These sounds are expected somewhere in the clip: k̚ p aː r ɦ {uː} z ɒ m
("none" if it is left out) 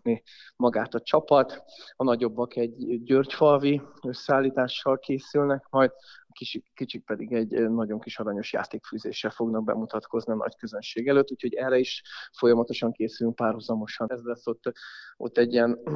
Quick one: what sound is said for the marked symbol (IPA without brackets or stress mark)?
u